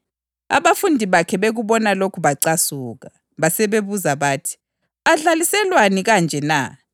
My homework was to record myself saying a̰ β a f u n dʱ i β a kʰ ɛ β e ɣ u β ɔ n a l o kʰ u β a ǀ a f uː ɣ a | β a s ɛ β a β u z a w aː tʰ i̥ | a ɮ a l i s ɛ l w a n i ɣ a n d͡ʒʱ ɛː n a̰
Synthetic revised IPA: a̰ β a f u n dʱ i β a kʰ ɛ β e ɣ u β ɔ n a l o kʰ u β a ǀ a s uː ɣ a | β a s ɛ β e β u z a β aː tʰ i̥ | a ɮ a l i s ɛ l w a n i ɣ a n d͡ʒʱ ɛ n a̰

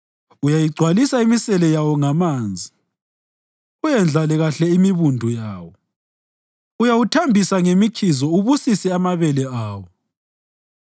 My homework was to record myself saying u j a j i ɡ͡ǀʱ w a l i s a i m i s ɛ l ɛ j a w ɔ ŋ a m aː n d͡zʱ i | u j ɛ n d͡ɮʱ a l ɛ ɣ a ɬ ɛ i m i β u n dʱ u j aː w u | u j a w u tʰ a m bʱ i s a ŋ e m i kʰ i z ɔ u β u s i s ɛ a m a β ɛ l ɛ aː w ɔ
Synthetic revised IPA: u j a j i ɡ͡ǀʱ w a l i s a i m i s ɛ l ɛ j a w ɔ ŋ a m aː n d͡zʱ i | u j ɛ n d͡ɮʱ a l ɛ ɣ a ɬ ɛ i m i β u n dʱ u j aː w ɔ | u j a w u tʰ a m bʱ i s a ŋ e m i kʰ i z ɔ u β u s i s ɛ a m a β ɛ l ɛ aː w ɔ

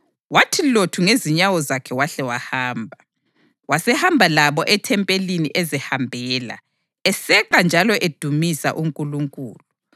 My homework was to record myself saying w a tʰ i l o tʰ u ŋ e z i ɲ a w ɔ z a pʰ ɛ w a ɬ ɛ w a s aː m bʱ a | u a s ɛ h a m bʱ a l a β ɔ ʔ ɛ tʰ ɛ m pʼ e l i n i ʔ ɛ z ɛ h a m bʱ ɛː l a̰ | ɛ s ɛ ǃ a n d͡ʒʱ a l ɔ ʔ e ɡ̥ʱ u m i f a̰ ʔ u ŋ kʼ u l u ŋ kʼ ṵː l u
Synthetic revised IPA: w a tʰ i l o tʰ u ŋ e z i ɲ a w ɔ z a kʰ ɛ w a ɬ ɛ w a h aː m bʱ a | w a s ɛ h a m bʱ a l a β ɔ ʔ ɛ tʰ ɛ m pʼ e l i n i ʔ ɛ z ɛ h a m bʱ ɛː l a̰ | ɛ s ɛ ǃ a n d͡ʒʱ a l ɔ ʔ e d̥ʱ u m i s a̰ ʔ u ŋ kʼ u l u ŋ kʼ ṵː l u

